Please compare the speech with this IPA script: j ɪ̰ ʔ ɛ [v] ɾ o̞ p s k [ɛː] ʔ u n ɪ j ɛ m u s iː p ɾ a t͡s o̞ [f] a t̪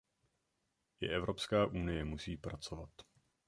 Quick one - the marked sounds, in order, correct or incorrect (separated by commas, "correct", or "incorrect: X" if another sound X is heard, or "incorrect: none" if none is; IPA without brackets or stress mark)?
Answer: correct, incorrect: aː, incorrect: v